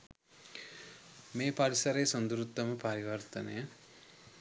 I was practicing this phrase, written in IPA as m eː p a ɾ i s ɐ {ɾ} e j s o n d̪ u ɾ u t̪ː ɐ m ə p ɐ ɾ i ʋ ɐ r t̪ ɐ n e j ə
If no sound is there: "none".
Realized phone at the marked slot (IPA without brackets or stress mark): ɾ